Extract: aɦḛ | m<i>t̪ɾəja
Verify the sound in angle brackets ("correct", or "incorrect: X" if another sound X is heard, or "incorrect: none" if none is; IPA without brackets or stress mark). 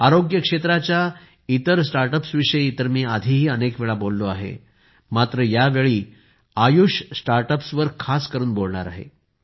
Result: incorrect: a